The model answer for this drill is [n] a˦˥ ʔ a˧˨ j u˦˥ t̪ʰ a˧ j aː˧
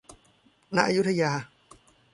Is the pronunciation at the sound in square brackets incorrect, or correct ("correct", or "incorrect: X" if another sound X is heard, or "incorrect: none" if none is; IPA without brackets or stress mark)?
correct